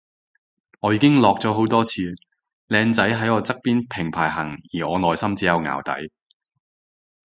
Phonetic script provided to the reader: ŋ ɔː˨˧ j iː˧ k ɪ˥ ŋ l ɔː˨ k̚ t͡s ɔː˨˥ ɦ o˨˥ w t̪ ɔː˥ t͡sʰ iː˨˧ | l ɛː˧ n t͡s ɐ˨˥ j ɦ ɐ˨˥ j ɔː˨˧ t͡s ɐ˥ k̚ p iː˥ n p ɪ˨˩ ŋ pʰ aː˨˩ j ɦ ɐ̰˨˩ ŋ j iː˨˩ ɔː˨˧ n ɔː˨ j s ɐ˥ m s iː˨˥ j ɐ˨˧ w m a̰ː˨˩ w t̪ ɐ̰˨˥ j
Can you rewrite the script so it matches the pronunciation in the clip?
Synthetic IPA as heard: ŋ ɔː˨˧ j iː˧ k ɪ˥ ŋ l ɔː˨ k̚ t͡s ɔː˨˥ ɦ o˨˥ w t̪ ɔː˥ t͡sʰ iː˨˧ | l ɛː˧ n t͡s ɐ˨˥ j ɦ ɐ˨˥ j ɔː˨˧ t͡s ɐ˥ k̚ p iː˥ n pʰ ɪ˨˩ ŋ pʰ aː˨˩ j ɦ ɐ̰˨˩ ŋ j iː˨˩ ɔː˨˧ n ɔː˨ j s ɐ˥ m t͡s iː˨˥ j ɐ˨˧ w ŋ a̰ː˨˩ w t̪ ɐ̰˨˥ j